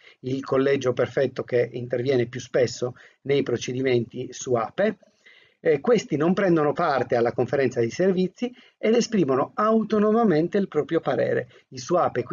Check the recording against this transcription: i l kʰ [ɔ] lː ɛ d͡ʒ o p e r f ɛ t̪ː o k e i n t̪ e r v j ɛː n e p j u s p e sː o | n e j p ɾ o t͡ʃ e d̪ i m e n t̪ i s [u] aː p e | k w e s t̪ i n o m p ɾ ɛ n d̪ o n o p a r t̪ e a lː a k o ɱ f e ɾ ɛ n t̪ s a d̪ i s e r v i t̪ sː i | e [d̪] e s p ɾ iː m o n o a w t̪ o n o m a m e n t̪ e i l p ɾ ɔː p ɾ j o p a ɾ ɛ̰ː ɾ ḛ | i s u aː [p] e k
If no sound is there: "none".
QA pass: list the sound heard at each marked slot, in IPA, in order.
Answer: o, u, d̪, p

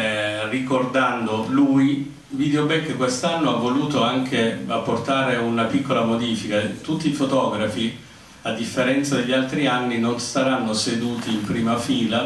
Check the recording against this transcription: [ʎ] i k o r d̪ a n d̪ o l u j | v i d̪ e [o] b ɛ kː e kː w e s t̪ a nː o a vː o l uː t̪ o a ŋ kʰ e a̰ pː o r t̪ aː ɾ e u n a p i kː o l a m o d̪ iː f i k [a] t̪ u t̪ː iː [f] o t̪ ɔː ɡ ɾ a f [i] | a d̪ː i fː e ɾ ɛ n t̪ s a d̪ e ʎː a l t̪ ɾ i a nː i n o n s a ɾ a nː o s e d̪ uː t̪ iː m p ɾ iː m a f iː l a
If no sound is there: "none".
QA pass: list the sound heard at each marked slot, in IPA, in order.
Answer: r, o, a, f, i

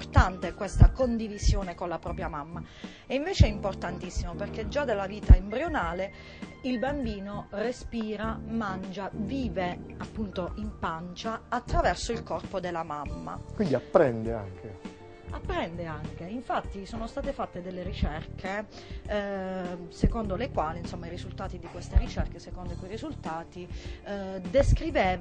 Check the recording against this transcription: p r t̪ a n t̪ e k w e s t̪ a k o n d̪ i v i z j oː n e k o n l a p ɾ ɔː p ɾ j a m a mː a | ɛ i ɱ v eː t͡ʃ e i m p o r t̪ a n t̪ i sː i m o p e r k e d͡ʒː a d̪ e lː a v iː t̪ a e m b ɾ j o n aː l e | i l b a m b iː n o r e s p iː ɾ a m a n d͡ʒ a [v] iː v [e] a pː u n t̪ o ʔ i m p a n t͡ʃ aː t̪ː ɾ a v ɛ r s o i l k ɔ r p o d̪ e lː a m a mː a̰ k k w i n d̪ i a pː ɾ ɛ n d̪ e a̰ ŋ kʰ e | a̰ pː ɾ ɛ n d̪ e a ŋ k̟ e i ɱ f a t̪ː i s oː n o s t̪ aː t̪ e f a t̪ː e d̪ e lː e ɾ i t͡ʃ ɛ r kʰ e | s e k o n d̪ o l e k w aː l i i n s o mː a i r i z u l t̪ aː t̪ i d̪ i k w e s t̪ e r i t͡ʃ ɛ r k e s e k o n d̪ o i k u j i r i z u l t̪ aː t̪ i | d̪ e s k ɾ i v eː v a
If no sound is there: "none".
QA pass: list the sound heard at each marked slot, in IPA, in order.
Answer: v, e

